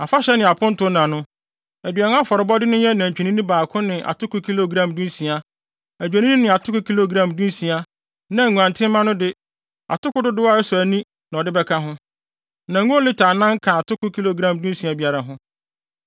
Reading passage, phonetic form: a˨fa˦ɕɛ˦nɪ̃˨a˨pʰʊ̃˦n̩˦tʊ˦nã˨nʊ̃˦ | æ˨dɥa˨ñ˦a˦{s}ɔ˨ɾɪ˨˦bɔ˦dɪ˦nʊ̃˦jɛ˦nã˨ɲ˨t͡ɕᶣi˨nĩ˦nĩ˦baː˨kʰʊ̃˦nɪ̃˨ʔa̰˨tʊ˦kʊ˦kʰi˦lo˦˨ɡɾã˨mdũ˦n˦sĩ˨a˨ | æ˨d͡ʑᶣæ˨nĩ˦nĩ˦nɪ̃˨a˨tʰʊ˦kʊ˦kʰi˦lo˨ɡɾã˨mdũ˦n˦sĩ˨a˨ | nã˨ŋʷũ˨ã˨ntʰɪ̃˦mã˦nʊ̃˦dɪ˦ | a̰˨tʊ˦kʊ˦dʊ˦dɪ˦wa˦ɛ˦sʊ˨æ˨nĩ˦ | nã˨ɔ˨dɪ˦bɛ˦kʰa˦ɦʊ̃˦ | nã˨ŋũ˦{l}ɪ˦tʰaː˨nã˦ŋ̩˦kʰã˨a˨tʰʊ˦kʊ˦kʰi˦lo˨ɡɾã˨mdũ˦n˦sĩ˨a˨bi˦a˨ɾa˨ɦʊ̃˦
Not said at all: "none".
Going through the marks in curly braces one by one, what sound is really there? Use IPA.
f, l

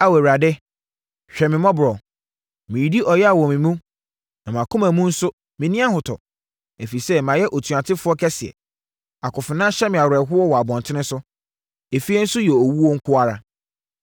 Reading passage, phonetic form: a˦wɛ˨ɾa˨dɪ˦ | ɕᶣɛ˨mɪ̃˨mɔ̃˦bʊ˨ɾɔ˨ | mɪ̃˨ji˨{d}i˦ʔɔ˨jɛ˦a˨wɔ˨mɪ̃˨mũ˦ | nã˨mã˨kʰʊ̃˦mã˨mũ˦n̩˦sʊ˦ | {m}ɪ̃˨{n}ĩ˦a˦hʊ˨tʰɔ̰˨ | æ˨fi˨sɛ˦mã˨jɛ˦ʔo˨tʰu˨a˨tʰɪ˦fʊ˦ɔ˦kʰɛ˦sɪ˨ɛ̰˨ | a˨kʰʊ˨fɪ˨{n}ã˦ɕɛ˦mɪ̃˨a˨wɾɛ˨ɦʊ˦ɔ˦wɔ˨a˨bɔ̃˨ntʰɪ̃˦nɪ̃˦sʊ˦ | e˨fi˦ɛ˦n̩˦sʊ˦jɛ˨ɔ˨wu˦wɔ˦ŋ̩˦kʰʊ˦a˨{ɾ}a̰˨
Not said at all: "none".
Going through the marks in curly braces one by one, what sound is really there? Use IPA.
d, m, n, n, ɾ

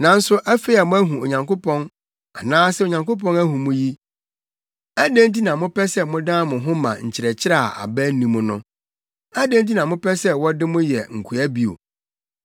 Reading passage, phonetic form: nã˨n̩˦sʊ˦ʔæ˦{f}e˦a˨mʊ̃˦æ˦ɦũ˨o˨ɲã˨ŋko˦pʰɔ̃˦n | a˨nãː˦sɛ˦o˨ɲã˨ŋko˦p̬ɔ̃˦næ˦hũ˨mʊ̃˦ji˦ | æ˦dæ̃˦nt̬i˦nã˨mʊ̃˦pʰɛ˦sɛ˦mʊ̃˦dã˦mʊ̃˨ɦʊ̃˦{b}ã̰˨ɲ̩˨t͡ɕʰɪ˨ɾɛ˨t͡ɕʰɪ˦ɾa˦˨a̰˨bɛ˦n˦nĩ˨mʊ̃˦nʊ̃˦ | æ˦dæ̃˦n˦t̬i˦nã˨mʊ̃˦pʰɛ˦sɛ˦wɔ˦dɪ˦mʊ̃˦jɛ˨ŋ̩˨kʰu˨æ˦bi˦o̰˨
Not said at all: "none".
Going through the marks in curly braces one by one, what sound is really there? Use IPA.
f, m

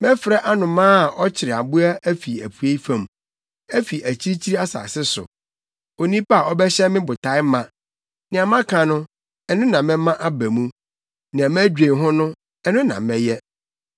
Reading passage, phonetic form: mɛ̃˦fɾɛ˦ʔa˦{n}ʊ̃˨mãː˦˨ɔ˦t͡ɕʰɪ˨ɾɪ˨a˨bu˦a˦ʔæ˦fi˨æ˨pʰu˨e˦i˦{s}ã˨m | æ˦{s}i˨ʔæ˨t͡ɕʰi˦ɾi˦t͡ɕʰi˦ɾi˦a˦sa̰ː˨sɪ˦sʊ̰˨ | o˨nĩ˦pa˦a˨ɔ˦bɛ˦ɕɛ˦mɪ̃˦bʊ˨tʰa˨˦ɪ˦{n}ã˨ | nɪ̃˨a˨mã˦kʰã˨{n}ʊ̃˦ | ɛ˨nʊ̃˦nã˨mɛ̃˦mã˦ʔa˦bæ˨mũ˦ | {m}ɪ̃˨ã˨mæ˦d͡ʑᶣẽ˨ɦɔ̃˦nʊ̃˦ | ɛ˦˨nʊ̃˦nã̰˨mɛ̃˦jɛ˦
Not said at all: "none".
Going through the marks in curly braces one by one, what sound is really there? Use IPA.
n, f, f, m, n, n

